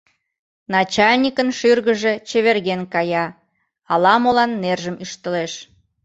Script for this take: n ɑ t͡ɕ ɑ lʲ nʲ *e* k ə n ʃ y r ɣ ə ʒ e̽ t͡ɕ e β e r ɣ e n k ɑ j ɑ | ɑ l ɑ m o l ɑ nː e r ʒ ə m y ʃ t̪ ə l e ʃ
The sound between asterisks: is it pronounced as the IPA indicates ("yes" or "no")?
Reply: no